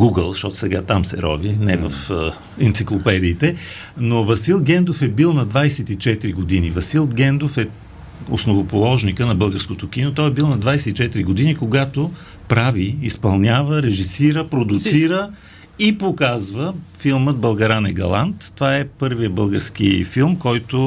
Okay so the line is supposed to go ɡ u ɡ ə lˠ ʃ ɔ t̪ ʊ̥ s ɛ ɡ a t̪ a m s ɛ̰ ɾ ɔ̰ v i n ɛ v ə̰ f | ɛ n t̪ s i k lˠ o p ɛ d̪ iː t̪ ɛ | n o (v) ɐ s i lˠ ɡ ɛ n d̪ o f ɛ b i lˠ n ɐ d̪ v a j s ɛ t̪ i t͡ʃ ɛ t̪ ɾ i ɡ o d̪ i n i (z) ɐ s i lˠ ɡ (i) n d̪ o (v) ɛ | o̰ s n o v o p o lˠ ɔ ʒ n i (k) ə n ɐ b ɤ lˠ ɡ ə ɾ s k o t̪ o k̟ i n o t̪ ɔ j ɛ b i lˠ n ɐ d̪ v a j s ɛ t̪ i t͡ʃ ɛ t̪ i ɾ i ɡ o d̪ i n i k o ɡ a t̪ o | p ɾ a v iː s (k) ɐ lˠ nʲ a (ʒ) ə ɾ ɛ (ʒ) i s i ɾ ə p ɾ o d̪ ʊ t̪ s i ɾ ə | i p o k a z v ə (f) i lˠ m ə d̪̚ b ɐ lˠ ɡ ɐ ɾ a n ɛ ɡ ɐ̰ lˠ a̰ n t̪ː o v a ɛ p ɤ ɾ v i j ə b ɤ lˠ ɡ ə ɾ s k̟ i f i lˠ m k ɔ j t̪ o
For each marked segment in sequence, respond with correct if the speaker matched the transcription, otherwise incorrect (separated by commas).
correct, incorrect, incorrect, incorrect, correct, incorrect, incorrect, correct, correct